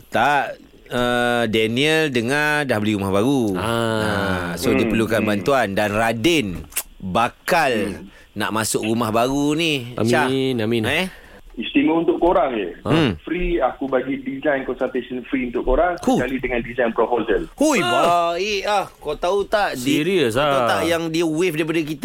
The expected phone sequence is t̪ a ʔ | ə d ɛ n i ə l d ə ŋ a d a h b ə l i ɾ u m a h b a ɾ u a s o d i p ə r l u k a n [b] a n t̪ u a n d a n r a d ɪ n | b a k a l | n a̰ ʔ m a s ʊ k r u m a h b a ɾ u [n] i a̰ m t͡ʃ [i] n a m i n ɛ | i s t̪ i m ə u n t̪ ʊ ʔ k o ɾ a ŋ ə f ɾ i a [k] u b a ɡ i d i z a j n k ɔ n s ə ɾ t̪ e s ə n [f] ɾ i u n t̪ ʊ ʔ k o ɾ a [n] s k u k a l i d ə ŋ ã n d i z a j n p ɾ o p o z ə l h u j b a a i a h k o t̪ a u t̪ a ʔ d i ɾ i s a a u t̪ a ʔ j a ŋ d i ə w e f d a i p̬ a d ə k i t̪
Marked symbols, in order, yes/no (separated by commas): yes, yes, no, yes, yes, no